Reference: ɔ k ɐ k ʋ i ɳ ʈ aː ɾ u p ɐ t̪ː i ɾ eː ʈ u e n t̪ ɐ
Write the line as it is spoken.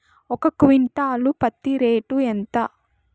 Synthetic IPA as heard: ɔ k ɐ k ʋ i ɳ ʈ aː l u p ɐ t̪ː i ɾ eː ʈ u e n t̪ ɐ